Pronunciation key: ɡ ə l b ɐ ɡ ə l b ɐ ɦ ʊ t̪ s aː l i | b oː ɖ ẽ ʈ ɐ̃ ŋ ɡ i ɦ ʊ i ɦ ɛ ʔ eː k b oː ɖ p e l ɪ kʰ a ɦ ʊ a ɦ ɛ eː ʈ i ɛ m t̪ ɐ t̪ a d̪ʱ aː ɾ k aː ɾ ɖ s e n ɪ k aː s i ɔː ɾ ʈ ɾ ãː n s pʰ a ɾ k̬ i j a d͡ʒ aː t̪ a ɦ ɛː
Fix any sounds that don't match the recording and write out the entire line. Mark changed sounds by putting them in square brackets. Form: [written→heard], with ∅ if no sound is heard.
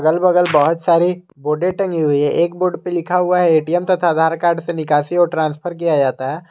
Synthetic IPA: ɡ ə l b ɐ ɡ ə l b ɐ ɦ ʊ t̪ s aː [l→ɾ] i | b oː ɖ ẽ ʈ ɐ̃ ŋ ɡ i ɦ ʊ i ɦ ɛ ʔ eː k b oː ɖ p e l ɪ kʰ a ɦ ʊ a ɦ ɛ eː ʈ i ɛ m t̪ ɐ [t̪→t̪ʰ] a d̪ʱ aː ɾ k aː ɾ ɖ s e n ɪ k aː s i ɔː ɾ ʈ ɾ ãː n s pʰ [a→ə] ɾ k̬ i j a d͡ʒ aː t̪ a ɦ ɛː

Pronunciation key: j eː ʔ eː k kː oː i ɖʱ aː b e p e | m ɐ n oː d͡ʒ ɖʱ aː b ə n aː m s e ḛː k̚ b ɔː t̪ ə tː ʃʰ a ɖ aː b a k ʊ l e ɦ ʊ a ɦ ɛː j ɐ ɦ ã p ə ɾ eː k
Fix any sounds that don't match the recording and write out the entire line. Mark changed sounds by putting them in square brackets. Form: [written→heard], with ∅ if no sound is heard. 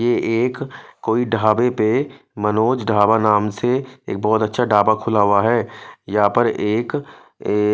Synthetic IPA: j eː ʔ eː k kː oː i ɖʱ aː b e p e | m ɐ n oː d͡ʒ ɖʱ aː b [ə→a] n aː m s e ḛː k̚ b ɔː t̪ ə tː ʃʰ a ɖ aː b a [k→kʰ] ʊ l [e→a] ɦ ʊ a ɦ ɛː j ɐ ɦ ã p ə ɾ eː k

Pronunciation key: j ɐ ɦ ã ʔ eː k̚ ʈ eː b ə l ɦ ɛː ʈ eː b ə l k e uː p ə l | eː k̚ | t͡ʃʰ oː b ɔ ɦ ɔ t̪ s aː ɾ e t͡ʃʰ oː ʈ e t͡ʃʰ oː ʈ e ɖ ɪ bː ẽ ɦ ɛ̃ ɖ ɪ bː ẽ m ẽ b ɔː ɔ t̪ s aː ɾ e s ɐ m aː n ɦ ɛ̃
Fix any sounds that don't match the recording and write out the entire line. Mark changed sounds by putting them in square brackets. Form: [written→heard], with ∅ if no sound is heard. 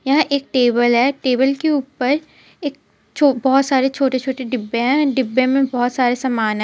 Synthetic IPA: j ɐ ɦ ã ʔ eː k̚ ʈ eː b ə l ɦ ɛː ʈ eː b ə l k e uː p ə [l→ɾ] | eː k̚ | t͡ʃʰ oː b ɔ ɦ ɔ t̪ s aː ɾ e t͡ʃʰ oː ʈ e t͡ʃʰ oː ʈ e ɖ ɪ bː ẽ ɦ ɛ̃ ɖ ɪ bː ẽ m ẽ b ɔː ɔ t̪ s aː ɾ e s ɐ m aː n ɦ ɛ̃

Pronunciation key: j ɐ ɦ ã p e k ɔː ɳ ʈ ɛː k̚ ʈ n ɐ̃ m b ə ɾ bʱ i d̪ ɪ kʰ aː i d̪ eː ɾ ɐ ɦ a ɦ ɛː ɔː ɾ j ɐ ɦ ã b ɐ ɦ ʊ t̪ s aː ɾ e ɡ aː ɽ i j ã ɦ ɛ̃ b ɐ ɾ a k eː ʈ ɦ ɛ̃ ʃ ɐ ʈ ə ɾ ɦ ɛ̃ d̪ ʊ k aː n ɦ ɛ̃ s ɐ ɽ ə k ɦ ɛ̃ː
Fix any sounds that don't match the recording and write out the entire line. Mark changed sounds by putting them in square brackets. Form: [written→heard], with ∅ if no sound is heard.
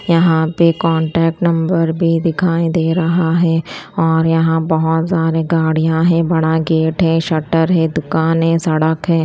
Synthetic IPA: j ɐ ɦ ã p e k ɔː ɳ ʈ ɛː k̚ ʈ n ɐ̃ m b ə ɾ bʱ i d̪ ɪ kʰ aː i d̪ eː ɾ ɐ ɦ a ɦ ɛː ɔː ɾ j ɐ ɦ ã b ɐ ɦ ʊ t̪ s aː ɾ e ɡ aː ɽ i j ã ɦ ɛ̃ b ɐ [ɾ→ɽ] a [k→ɡ] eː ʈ ɦ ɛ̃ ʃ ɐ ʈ ə ɾ ɦ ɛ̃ d̪ ʊ k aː n ɦ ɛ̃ s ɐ ɽ ə k ɦ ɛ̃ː

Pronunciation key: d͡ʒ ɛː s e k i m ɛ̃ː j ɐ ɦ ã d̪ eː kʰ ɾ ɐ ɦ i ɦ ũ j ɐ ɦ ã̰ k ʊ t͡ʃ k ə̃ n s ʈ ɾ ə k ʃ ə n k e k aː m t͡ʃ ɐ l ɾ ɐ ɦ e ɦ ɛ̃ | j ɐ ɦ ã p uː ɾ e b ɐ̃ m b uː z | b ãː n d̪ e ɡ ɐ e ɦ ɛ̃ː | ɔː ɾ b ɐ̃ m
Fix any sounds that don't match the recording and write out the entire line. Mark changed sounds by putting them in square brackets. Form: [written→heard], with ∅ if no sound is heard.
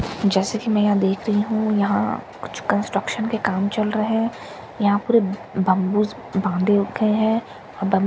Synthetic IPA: d͡ʒ ɛː s e k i m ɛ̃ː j ɐ ɦ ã d̪ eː kʰ ɾ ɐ ɦ i ɦ ũ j ɐ ɦ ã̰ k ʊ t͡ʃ k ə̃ n s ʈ ɾ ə k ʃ ə n k e k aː m t͡ʃ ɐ l ɾ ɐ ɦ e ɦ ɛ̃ | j ɐ ɦ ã p uː ɾ e b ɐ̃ m b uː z | b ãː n d̪ e ɡ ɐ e ɦ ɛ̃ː | ɔː ɾ b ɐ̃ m

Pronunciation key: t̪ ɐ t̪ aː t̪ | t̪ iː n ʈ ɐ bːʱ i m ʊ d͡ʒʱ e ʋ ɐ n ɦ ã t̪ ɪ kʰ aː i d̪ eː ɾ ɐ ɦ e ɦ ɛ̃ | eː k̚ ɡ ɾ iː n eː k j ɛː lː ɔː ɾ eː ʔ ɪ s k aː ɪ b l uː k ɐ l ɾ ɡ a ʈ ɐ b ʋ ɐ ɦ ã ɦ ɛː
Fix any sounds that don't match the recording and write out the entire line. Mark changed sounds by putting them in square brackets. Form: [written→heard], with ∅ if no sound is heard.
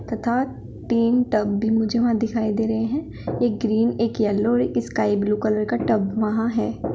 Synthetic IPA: t̪ ɐ [t̪→t̪ʰ] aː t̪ | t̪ iː n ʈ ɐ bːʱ i m ʊ d͡ʒʱ e ʋ ɐ [n→∅] ɦ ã [t̪→d̪] ɪ kʰ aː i d̪ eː ɾ ɐ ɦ e ɦ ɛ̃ | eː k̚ ɡ ɾ iː n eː k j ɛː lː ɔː ɾ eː [ʔ→k] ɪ s k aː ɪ b l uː k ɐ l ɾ [ɡ→k] a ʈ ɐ b ʋ ɐ ɦ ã ɦ ɛː

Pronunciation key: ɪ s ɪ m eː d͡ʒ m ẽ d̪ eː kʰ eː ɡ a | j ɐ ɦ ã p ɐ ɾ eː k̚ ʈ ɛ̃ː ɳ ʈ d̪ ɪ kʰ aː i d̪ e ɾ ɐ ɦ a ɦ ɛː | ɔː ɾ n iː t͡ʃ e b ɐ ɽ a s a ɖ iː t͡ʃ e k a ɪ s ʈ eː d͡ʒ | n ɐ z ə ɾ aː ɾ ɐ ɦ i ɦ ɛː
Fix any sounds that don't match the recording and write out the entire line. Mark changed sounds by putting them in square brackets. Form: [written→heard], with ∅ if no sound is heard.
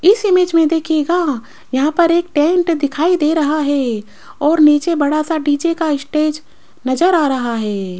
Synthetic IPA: ɪ s ɪ m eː d͡ʒ m ẽ d̪ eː kʰ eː ɡ a | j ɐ ɦ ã p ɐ ɾ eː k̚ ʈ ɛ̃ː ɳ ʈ d̪ ɪ kʰ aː i d̪ e ɾ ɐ ɦ a ɦ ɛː | ɔː ɾ n iː t͡ʃ e b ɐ ɽ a s a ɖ iː t͡ʃ e k a ɪ s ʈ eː d͡ʒ | n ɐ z ə ɾ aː ɾ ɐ ɦ [i→a] ɦ ɛː

